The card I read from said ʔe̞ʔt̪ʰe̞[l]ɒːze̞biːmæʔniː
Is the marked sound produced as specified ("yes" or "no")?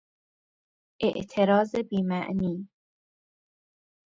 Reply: no